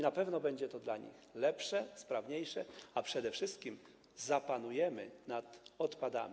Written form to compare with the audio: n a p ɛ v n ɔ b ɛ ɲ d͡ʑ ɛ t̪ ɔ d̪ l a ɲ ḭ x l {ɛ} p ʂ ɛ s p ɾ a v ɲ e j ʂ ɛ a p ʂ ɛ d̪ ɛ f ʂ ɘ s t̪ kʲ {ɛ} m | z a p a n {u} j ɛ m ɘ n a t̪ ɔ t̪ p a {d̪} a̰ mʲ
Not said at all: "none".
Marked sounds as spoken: ɛ, i, u, d̪

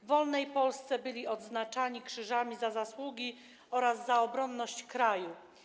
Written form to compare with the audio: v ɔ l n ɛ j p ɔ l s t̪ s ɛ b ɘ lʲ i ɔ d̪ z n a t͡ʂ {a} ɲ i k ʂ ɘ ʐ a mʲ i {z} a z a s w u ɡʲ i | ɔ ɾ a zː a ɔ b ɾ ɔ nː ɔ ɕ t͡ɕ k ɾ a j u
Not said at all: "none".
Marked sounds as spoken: a, z

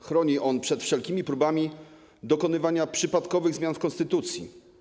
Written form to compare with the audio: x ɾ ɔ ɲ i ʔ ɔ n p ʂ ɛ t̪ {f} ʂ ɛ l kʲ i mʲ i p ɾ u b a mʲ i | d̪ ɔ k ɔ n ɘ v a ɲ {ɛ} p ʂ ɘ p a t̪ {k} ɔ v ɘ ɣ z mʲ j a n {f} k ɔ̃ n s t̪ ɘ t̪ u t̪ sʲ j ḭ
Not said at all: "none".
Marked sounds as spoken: f, a, k, f

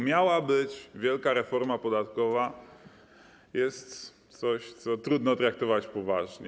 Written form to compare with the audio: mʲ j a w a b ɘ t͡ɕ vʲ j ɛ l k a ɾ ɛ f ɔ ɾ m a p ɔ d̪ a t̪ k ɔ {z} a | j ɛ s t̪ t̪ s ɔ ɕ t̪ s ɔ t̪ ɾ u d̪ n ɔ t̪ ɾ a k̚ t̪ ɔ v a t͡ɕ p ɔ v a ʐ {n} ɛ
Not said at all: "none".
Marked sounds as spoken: v, ɲ

